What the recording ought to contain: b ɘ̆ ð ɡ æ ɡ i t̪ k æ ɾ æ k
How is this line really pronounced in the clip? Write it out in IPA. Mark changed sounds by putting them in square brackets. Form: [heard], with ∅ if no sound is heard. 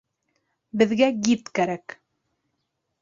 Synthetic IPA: b ɘ̆ ð ɡ æ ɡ i t̪ k æ ɾ æ k